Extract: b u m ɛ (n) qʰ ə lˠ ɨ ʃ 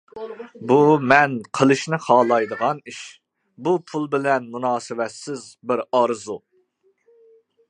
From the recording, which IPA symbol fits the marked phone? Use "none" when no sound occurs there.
n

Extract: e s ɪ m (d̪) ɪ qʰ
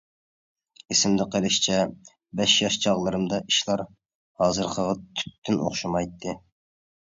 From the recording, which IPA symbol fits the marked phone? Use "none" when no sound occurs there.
d̪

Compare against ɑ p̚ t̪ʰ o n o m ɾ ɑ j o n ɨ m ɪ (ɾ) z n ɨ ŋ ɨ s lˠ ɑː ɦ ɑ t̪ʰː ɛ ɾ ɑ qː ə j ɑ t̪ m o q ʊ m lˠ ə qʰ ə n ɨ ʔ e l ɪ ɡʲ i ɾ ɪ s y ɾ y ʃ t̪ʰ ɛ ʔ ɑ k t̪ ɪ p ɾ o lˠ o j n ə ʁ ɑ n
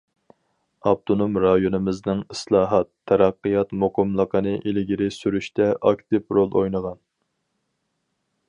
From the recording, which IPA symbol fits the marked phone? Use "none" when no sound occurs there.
none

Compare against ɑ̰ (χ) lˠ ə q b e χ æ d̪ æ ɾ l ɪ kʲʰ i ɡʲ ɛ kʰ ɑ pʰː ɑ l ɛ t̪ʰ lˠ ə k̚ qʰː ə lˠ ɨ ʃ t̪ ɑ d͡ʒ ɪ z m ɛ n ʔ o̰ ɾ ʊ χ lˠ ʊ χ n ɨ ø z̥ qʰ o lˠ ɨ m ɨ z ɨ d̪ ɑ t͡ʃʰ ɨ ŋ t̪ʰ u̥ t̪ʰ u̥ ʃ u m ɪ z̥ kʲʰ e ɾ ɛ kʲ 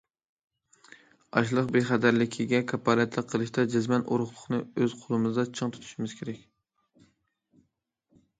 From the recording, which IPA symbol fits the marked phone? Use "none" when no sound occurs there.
ʃ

